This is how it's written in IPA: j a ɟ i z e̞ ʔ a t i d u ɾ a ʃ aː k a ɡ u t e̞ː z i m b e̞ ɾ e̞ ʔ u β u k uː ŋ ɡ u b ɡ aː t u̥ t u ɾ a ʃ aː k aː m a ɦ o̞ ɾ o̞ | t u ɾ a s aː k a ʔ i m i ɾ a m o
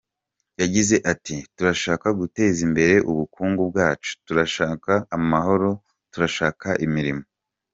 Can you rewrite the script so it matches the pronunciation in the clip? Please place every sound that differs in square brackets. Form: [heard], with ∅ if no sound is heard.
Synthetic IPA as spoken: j a ɟ i z e̞ ʔ a t i [t] u ɾ a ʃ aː k a ɡ u t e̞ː z i m b e̞ ɾ e̞ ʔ u β u k uː ŋ ɡ u b ɡ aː [t͡ʃ] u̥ t u ɾ a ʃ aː k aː m a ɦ o̞ ɾ o̞ | t u ɾ a [ʃ] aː k a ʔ i m i ɾ [i] m o